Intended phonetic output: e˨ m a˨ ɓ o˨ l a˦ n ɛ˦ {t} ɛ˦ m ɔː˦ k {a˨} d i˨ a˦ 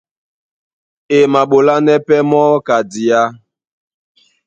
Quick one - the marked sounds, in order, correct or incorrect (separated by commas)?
incorrect, correct